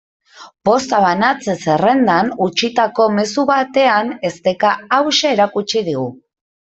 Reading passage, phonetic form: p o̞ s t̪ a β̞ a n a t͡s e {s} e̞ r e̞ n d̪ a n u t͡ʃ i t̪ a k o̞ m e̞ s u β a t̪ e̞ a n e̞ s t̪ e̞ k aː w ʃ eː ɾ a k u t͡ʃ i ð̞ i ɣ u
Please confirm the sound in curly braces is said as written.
yes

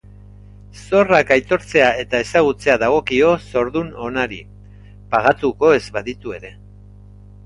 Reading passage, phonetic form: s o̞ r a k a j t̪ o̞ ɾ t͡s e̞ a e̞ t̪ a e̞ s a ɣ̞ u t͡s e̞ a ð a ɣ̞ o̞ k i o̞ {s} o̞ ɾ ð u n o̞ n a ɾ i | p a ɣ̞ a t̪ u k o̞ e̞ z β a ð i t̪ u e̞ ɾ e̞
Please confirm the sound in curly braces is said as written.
yes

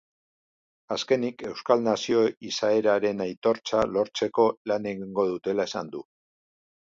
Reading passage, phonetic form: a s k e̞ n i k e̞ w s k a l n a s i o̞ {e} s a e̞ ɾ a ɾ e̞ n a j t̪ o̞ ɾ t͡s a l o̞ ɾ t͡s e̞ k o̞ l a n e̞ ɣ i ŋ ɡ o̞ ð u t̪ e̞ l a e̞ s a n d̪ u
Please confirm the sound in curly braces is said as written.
no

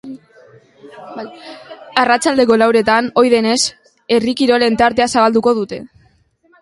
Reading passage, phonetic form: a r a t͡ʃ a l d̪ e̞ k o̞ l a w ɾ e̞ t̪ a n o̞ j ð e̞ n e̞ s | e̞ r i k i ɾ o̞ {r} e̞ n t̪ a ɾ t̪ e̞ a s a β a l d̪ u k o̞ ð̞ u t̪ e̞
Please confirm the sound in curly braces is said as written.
no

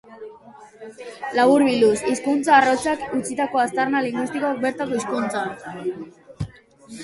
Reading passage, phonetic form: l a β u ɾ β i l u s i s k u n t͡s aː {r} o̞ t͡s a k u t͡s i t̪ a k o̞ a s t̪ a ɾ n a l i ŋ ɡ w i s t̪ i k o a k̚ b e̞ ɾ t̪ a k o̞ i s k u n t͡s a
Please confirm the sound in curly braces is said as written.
yes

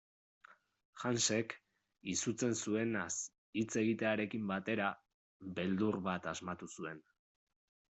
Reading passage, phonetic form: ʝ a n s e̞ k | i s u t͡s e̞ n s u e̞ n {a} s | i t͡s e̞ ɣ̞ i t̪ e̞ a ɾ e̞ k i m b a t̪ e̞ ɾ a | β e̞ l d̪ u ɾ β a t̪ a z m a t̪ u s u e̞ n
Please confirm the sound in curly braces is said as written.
yes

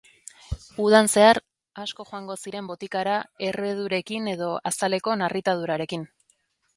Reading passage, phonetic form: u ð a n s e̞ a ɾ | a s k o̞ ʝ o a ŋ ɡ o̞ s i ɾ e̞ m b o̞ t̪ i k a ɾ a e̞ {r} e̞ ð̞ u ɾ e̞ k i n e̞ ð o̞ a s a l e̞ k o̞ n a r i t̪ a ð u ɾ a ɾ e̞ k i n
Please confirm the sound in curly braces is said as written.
yes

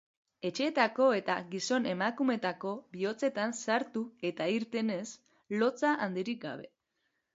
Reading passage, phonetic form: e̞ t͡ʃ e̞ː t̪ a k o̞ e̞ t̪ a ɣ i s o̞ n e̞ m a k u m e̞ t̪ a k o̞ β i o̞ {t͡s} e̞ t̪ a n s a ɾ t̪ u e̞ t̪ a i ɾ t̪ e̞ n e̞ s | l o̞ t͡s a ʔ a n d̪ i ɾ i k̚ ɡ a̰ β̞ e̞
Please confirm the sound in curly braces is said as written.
yes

